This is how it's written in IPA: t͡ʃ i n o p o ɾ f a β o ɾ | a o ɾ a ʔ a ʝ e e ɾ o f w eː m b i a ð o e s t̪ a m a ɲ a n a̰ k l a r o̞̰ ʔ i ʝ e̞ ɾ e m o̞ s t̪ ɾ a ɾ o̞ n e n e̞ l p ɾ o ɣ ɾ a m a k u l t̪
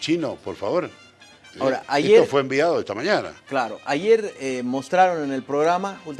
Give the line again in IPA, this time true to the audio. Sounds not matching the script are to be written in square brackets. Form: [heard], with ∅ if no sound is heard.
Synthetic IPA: t͡ʃ i n o p o ɾ f a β o ɾ | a o ɾ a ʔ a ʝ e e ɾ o f w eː m b i a ð o e s t̪ a m a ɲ a n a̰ k l a [ɾ] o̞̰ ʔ [a] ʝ e̞ ɾ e m o̞ s t̪ ɾ a ɾ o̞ n e n e̞ l p ɾ o ɣ ɾ a m a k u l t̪